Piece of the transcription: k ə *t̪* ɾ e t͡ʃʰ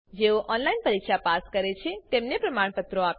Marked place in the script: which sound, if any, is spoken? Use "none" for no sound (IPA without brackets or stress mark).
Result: none